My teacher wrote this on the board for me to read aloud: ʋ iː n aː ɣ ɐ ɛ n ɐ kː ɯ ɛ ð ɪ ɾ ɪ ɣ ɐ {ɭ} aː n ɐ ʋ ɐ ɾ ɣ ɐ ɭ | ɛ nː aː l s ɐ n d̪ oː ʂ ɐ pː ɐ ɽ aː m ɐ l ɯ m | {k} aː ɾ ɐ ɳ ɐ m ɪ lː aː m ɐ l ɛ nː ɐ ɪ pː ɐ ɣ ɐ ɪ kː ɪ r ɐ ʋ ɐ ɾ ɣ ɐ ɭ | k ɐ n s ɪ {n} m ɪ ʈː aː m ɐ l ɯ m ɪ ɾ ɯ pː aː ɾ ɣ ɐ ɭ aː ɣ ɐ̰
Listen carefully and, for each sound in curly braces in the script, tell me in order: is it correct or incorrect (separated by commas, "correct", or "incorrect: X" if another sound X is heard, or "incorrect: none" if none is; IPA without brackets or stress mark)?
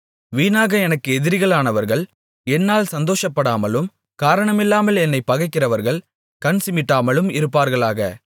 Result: correct, correct, incorrect: none